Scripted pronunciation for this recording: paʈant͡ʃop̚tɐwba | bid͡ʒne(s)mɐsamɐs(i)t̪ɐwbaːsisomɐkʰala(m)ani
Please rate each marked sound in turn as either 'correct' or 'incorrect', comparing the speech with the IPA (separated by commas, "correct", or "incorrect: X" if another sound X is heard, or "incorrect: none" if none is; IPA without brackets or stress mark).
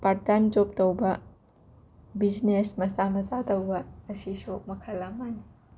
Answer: correct, incorrect: a, correct